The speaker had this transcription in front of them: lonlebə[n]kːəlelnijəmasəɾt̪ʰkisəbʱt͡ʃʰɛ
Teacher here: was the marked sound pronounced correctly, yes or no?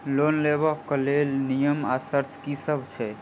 no